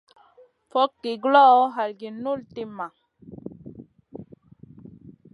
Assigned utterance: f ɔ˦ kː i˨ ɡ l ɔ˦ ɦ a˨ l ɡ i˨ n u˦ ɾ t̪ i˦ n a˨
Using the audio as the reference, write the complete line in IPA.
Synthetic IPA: f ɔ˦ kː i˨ ɡ l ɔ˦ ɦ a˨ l ɡ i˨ n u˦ l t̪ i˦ m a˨